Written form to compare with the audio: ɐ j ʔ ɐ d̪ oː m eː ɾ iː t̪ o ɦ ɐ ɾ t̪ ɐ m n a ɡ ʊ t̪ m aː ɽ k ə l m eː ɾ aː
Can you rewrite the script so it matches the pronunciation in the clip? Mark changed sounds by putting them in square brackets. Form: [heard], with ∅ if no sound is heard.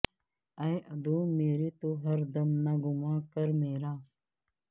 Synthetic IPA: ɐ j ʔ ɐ d̪ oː m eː ɾ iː t̪ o ɦ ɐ ɾ [d̪] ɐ m n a ɡ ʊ [∅] m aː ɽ k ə [ɾ] m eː ɾ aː